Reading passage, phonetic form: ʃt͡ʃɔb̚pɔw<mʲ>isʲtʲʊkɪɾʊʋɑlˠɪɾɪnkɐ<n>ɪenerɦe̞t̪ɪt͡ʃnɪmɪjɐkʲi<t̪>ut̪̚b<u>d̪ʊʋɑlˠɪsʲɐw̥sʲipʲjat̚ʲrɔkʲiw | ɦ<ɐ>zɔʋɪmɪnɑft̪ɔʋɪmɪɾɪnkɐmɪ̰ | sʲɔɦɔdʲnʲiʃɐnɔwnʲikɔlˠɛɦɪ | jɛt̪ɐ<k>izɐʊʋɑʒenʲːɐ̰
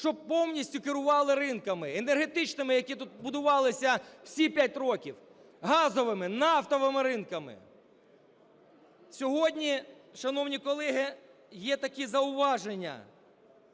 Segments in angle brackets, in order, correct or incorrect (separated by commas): incorrect, incorrect, correct, incorrect, incorrect, correct